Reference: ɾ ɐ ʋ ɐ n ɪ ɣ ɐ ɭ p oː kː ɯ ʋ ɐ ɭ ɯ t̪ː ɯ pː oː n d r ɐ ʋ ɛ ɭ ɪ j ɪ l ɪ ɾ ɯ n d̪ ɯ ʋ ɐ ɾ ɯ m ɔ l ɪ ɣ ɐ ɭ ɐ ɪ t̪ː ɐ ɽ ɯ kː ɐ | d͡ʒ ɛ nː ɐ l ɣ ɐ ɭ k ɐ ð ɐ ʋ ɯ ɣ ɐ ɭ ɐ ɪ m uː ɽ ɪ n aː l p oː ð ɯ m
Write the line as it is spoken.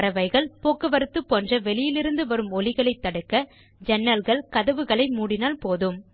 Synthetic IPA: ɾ ɐ ʋ ɐ ɪ ɣ ɐ ɭ p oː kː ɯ ʋ ɐ ɾ ɯ t̪ː ɯ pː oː n d r ɐ ʋ ɛ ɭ ɪ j ɪ l ɪ ɾ ɯ n d̪ ɯ ʋ ɐ ɾ ɯ m ɔ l ɪ ɣ ɐ ɭ ɐ ɪ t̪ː ɐ ɽ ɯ kː ɐ | d͡ʒ ɛ nː ɐ l ɣ ɐ ɭ k ɐ ð ɐ ʋ ɯ ɣ ɐ ɭ ɐ ɪ m uː ɽ ɪ n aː l p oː ð ɯ m

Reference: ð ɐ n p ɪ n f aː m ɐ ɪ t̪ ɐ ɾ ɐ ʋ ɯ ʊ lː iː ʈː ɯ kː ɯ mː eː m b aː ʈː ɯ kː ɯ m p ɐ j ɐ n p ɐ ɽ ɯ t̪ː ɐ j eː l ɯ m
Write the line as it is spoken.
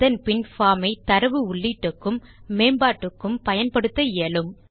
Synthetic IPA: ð ɐ n p ɪ n f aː m ɐ ɪ t̪ ɐ ɾ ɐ ʋ ɯ ʊ ɭː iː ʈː ɯ kː ɯ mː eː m b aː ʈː ɯ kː ɯ m p ɐ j ɐ n p ɐ ɽ ɯ t̪ː ɐ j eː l ɯ m

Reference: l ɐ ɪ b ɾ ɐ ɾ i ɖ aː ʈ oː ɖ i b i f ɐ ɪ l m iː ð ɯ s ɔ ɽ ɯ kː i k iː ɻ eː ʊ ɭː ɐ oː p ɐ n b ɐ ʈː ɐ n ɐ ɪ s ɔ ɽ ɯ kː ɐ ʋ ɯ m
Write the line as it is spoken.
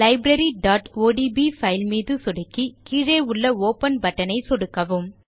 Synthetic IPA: l ɐ ɪ b ɾ ɐ ɾ i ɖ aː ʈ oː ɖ i b i f ɐ ɪ l m iː ð ɯ s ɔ ɽ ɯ kː i k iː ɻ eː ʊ ɭː ɐ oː p ɐ n b ɐ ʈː ɐ n ɐ ɪ s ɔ ɽ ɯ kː ɐ ʋ ɯ m

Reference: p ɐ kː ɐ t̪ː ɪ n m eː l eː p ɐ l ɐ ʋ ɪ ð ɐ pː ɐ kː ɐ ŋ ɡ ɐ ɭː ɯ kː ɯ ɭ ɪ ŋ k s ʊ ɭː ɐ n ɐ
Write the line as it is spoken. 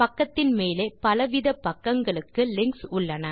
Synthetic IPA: p ɐ kː ɐ t̪ː ɪ n m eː l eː p ɐ l ɐ ʋ ɪ ð ɐ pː ɐ kː ɐ ŋ ɡ ɐ ɭ ɯ kː ɯ l ɪ ŋ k s ʊ ɭː ɐ n ɐ

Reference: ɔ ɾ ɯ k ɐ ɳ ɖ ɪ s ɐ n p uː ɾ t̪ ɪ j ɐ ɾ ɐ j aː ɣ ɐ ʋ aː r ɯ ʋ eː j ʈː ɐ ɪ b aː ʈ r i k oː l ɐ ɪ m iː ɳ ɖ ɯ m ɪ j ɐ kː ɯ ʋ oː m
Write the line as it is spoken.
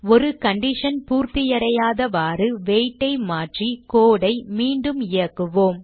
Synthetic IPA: ɔ ɾ ɯ k ɐ ɳ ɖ ɪ ʂ ɐ n p uː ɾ t̪ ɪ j ɐ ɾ ɐ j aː ð ɐ ʋ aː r ɯ ʋ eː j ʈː ɐ ɪ m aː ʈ r i k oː ɽ ɐ ɪ m iː ɳ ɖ ɯ m ɪ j ɐ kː ɯ ʋ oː m

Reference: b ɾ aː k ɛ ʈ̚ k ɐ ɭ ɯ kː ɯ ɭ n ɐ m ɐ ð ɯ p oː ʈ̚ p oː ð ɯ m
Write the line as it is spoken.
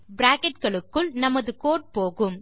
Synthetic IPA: b ɾ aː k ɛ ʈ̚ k ɐ ɭ ɯ kː ɯ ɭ n ɐ m ɐ ð ɯ k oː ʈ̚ p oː ɣ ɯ m

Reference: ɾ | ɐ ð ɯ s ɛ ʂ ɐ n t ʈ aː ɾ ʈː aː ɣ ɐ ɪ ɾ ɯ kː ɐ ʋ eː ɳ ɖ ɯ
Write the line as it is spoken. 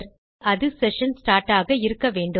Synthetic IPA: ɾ | ɐ ð ɯ s ɛ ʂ ɐ n s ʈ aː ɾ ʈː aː ɣ ɐ ɪ ɾ ɯ kː ɐ ʋ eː ɳ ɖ ɯ

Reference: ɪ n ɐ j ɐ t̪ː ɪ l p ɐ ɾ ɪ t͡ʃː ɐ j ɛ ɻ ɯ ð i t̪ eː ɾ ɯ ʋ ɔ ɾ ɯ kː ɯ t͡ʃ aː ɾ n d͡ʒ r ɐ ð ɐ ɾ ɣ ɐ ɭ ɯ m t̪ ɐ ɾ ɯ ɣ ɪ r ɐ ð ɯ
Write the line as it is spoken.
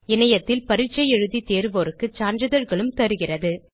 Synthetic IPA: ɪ n ɐ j ɐ t̪ː ɪ l p ɐ ɾ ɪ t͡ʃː ɐ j ɛ ɻ ɯ ð i t̪ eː ɾ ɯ ʋ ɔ ɾ ɯ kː ɯ t͡ʃ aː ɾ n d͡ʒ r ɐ ð ɐ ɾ ɣ ɐ ɭ ɯ m t̪ ɐ ɾ ɯ ɣ ɪ r ɐ ð ɯ

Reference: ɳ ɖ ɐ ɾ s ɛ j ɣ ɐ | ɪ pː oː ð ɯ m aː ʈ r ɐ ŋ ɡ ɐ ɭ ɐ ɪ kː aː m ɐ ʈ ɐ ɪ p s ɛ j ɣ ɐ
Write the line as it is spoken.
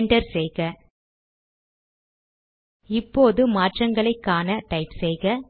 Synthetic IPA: ɳ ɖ ɐ ɾ s ɛ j ɣ ɐ | ɪ pː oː ð ɯ m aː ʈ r ɐ ŋ ɡ ɐ ɭ ɐ ɪ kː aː n ɐ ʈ ɐ ɪ p s ɛ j ɣ ɐ

